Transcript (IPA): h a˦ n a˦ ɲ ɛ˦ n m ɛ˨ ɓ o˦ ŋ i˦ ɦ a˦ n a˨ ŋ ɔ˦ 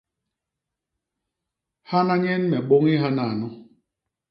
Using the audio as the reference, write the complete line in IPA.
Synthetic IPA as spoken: h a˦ n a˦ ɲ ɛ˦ n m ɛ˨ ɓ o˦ ŋ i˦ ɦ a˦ n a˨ n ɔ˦